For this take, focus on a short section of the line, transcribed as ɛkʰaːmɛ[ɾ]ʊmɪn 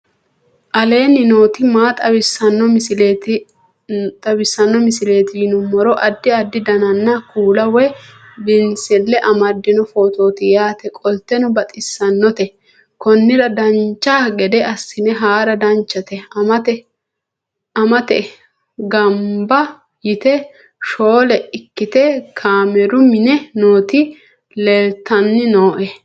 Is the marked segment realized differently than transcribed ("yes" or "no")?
no